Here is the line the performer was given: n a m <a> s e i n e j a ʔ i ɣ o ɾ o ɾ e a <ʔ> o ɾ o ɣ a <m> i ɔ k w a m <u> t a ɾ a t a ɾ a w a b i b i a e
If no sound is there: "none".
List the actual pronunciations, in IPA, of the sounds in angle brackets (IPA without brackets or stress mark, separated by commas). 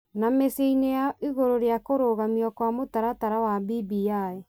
e, k, m, o